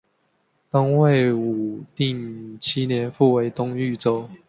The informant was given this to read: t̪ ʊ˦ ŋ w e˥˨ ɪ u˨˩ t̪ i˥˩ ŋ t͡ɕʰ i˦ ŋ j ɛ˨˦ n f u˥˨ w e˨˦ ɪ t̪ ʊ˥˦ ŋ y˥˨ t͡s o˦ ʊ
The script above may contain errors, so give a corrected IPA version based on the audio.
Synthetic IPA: t̪ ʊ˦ ŋ w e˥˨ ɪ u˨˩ t̪ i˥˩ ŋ t͡ɕʰ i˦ n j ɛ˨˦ n f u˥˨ w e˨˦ ɪ t̪ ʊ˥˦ ŋ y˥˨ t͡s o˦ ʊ